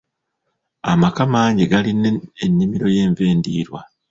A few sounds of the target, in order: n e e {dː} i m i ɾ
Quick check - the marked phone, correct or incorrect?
incorrect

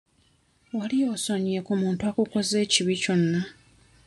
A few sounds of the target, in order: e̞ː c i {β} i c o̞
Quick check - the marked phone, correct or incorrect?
correct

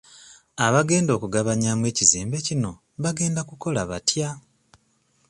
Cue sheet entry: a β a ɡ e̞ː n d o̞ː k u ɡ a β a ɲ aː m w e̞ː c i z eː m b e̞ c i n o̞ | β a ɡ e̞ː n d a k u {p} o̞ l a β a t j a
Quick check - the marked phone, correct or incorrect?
incorrect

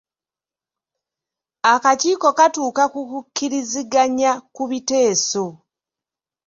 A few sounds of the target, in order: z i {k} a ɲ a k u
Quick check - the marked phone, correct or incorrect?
incorrect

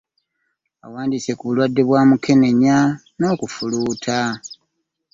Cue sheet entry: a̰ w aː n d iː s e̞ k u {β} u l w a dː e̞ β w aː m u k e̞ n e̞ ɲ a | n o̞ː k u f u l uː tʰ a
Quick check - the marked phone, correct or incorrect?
correct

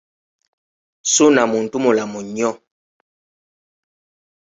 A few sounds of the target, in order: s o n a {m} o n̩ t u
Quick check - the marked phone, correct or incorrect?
correct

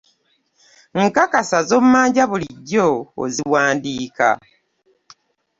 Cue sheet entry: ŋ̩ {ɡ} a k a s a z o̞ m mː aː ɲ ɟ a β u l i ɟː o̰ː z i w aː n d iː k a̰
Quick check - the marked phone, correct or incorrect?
incorrect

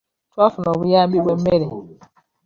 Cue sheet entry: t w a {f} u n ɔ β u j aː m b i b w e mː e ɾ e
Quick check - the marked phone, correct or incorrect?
correct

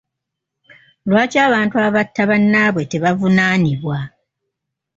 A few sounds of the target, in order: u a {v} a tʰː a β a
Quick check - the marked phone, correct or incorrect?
incorrect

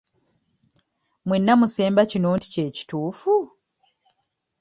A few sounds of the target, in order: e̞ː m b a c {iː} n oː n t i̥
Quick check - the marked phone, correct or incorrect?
incorrect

